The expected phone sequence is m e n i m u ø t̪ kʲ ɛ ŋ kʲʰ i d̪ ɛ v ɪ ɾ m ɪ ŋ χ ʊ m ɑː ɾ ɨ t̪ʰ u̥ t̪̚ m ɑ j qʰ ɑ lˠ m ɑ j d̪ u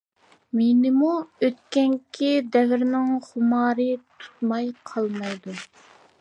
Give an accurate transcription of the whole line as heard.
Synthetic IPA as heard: m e n ɪ m u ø t̪ kʲ ɛ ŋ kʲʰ i d̪ ɛ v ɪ ɾ n ɪ ŋ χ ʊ m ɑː ɾ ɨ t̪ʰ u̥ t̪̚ m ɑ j qʰ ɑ lˠ m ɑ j d̪ u

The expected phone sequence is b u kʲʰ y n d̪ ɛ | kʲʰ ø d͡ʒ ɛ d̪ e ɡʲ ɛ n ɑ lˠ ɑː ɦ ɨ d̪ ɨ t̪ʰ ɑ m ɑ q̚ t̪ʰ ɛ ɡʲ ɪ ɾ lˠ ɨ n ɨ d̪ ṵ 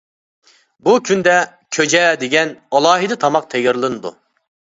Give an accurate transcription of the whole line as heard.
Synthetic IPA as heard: b u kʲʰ y n d̪ ɛ | kʲʰ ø d͡ʒ ɛ d̪ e ɡʲ ɛ n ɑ lˠ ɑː ɦ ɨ d̪ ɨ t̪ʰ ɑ m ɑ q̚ t̪ʰ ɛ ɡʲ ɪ ɾ lˠ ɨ n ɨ d̪ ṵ

